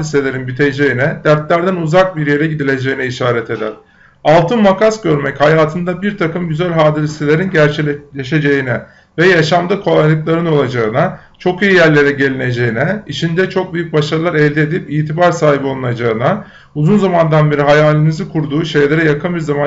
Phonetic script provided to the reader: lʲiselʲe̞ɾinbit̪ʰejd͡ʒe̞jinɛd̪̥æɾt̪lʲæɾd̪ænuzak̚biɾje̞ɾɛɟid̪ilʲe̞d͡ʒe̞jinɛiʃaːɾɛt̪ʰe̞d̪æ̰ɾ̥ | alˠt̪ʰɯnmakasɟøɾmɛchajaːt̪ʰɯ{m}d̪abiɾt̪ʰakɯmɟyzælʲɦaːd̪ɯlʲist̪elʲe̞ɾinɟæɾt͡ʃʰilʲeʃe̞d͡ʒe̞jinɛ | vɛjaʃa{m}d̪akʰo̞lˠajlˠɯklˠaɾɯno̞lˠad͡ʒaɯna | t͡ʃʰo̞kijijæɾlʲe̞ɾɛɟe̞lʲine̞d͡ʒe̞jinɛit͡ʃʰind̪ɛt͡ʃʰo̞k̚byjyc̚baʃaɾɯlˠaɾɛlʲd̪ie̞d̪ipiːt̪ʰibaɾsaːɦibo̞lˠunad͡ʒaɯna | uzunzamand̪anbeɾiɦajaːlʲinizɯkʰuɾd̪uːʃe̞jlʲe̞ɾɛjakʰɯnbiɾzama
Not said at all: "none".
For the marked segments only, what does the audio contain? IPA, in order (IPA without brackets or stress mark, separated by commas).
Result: n, m